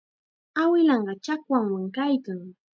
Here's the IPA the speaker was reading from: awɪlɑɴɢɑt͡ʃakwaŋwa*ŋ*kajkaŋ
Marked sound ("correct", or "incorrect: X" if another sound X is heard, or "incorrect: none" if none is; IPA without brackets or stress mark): correct